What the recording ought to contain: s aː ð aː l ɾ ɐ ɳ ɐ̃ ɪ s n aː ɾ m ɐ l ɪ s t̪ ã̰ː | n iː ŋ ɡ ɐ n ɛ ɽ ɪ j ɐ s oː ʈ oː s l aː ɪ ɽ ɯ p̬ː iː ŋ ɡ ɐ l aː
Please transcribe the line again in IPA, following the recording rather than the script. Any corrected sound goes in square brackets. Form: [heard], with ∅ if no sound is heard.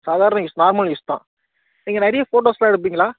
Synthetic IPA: s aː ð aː [∅] ɾ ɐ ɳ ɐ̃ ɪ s n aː ɾ m ɐ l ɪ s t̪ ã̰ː | n iː ŋ ɡ ɐ n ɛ [ɾ] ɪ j ɐ [f] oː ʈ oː s l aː ɪ ɽ ɯ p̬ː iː ŋ ɡ ɐ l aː

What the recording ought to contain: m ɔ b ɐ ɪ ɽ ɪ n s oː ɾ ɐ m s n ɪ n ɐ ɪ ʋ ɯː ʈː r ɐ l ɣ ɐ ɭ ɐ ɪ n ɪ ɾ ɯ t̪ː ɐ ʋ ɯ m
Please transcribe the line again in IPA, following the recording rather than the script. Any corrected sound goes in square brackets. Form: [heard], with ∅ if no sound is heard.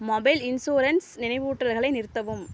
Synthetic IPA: m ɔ b ɐ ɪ [l] ɪ n s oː ɾ ɐ [n] s n ɪ n ɐ ɪ ʋ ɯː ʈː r ɐ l ɣ ɐ ɭ ɐ ɪ n ɪ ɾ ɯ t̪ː ɐ ʋ ɯ m

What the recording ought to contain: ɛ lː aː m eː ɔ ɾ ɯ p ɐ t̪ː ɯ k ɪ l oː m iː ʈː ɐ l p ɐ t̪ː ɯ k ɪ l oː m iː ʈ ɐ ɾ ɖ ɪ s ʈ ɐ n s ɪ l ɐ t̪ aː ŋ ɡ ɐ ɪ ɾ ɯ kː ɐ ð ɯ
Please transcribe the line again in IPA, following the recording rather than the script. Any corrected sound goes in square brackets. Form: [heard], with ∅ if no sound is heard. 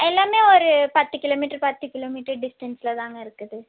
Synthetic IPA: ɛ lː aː m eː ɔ ɾ ɯ p ɐ t̪ː ɯ k ɪ l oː m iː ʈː ɐ [ɾ] p ɐ t̪ː ɯ k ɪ l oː m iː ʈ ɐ ɾ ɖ ɪ s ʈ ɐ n s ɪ l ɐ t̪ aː ŋ ɡ ɐ ɪ ɾ ɯ kː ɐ ð ɯ

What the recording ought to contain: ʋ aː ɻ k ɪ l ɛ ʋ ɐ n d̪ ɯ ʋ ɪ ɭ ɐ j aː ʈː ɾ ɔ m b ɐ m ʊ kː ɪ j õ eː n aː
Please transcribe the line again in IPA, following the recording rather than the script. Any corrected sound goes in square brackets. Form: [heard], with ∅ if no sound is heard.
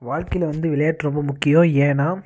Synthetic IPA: ʋ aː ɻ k ɪ l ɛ ʋ ɐ n d̪ ɯ ʋ ɪ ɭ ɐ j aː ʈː ɾ ɔ m b ɐ m ʊ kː ɪ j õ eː n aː

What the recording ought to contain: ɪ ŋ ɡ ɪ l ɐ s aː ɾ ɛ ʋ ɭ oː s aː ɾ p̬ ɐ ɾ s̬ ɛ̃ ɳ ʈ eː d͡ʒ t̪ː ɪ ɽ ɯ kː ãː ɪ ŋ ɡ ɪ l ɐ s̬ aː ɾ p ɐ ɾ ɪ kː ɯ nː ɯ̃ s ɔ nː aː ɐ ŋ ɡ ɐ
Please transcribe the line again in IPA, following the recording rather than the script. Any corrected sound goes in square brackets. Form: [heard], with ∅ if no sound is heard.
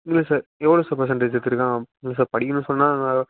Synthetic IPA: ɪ ŋ ɡ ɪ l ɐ s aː ɾ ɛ ʋ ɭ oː s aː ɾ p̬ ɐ ɾ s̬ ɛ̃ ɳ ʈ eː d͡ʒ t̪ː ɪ [ɾ] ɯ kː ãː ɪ ŋ ɡ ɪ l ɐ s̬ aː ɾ p ɐ [ɽ] ɪ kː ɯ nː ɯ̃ s ɔ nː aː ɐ ŋ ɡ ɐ

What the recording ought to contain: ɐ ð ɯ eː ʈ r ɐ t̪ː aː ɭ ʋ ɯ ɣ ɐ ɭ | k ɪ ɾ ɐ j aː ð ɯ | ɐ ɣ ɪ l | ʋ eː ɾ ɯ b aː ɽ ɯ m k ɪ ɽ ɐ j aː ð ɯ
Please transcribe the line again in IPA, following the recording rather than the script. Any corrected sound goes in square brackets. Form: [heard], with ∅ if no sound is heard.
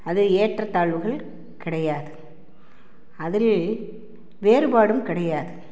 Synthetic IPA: ɐ ð ɯ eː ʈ r ɐ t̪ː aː ɭ ʋ ɯ ɣ ɐ ɭ | k ɪ [ɽ] ɐ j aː ð ɯ | ɐ [ð] ɪ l | ʋ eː ɾ ɯ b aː ɽ ɯ m k ɪ ɽ ɐ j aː ð ɯ

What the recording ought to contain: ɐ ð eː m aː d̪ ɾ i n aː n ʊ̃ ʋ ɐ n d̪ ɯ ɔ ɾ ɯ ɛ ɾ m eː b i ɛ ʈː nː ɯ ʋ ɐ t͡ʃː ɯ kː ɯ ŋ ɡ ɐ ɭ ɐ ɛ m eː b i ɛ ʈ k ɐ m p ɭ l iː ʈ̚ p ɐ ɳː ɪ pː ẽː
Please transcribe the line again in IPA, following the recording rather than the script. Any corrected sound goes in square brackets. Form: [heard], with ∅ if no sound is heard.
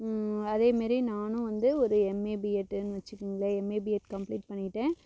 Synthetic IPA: ɐ ð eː m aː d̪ ɾ i n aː n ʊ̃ ʋ ɐ n d̪ ɯ ɔ ɾ ɯ ɛ [∅] m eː b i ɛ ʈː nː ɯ ʋ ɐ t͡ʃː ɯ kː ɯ ŋ ɡ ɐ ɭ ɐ ɛ m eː b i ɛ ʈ k ɐ m p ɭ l iː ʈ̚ p ɐ ɳː ɪ [ʈː] ẽː

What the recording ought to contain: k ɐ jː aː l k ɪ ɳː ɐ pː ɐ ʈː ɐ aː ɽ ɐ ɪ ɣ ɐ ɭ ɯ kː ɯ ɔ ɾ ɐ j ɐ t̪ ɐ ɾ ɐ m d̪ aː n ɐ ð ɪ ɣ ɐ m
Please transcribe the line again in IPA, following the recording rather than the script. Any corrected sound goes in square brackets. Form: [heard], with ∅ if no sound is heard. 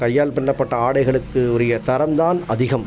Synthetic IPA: k ɐ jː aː l [p] ɪ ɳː ɐ pː ɐ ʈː ɐ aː ɽ ɐ ɪ ɣ ɐ ɭ ɯ kː ɯ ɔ ɾ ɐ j ɐ t̪ ɐ ɾ ɐ m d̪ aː n ɐ ð ɪ ɣ ɐ m

